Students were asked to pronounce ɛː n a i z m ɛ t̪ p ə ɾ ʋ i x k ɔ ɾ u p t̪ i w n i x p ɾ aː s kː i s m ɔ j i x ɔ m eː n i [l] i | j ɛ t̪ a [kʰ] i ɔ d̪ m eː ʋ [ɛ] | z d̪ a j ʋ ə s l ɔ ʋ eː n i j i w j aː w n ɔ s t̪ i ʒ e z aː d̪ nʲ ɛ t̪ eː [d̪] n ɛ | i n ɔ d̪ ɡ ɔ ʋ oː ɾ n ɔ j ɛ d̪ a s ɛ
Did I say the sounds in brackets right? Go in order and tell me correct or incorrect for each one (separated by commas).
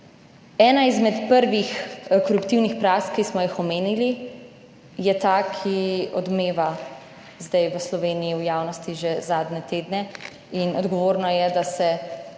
correct, correct, incorrect, correct